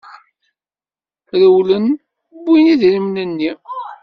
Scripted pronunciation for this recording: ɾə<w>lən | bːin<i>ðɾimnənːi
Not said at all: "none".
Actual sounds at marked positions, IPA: w, i

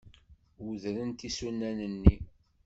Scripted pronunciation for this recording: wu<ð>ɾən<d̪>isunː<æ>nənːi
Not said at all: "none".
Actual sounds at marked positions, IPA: ð, t̪, æ

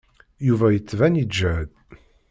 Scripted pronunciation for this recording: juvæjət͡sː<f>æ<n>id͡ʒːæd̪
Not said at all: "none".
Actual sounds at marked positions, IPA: v, n

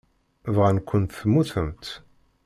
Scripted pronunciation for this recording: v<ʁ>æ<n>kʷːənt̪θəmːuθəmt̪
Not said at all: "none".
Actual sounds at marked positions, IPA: ʁ, n

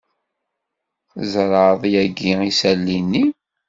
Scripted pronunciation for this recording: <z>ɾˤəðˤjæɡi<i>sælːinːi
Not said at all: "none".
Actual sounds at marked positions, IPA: z, i

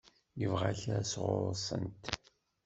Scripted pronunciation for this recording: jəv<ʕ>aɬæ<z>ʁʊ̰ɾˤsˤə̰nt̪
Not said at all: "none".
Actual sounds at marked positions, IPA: ʁ, s

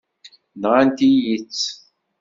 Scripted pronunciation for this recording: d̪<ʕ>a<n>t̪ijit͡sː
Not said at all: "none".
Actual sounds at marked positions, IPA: ʁ, n

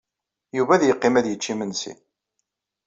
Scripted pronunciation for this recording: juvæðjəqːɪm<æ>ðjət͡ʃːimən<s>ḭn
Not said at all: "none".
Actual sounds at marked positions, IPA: æ, s

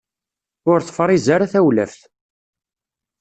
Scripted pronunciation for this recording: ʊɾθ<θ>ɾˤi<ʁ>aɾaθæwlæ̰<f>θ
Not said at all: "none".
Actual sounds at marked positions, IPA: f, z, f

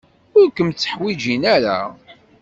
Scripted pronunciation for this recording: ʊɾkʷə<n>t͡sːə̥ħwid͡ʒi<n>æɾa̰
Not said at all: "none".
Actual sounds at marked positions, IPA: m, n

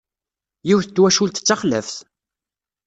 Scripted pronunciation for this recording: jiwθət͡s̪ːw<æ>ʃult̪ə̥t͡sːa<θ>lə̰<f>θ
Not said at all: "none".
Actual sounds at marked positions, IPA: æ, χ, f

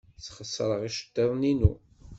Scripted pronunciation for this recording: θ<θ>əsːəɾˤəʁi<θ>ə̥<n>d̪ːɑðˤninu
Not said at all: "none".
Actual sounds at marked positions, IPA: χ, ʃ, none

